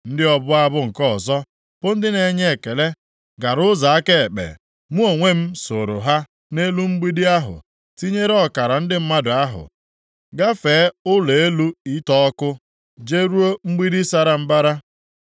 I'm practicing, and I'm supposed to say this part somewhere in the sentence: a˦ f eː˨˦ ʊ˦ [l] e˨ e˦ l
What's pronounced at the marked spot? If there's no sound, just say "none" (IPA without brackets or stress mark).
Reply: l